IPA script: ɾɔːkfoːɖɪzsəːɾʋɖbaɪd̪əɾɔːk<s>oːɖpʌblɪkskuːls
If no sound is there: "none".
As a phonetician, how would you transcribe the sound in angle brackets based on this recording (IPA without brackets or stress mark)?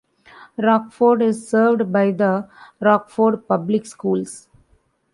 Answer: f